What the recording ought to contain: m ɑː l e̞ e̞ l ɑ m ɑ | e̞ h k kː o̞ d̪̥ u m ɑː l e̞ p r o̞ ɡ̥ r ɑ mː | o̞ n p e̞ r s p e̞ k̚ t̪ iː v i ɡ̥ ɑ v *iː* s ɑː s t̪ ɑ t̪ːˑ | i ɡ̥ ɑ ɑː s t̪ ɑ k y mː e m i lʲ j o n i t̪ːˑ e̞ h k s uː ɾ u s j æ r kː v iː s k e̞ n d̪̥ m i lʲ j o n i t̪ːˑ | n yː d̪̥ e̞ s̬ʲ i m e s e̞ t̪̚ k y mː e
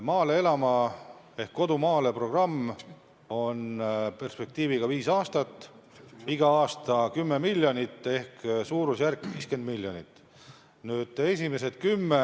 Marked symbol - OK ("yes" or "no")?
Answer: yes